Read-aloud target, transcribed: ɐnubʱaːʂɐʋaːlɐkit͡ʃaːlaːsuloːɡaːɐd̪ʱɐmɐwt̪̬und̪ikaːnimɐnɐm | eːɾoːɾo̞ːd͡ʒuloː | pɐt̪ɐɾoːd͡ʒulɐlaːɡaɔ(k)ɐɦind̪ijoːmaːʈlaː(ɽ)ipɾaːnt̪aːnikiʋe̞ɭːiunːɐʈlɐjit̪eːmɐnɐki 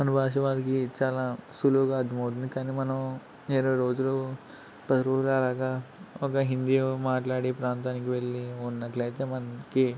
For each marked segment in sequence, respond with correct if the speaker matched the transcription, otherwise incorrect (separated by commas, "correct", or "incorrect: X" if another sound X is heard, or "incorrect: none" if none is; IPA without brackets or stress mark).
correct, correct